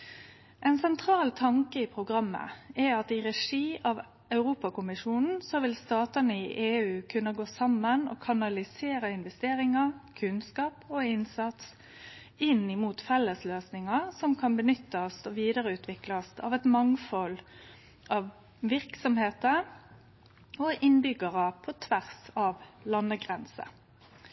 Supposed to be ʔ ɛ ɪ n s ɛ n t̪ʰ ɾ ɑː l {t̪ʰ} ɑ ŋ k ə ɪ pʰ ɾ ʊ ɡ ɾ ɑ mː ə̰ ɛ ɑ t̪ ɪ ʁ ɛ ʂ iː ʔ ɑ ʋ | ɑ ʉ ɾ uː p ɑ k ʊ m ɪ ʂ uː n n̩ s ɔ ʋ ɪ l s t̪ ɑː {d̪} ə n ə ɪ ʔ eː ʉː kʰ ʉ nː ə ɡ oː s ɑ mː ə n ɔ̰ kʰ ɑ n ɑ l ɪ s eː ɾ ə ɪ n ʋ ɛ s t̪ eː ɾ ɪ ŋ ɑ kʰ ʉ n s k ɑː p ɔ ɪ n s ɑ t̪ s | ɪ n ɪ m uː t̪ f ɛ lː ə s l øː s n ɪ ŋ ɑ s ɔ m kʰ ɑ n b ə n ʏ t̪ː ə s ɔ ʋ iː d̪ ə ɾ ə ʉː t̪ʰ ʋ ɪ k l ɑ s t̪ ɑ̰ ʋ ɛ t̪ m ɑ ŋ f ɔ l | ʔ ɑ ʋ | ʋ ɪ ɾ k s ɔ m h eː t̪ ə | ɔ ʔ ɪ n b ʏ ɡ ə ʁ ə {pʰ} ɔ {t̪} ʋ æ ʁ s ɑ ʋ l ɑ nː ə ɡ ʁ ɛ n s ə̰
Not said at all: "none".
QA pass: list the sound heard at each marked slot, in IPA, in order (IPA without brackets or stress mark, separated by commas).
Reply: t̪ʰ, t̪, pʰ, t̪ʰ